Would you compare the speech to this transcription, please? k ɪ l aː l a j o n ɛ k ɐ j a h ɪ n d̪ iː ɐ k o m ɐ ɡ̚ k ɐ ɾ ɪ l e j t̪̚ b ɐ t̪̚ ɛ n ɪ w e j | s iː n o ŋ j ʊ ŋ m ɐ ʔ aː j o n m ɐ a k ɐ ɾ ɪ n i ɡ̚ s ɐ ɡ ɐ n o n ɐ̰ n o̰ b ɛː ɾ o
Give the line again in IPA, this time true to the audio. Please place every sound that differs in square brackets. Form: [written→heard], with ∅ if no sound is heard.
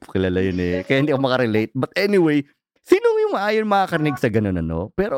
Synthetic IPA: k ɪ l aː l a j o n ɛ k ɐ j a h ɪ n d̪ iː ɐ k o m ɐ [ɡ̚→∅] k ɐ ɾ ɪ l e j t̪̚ b ɐ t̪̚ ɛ n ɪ w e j | s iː n o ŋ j ʊ ŋ m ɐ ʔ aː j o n m ɐ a k ɐ ɾ ɪ n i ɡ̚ s ɐ ɡ ɐ n o n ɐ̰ n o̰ [b→p] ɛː ɾ o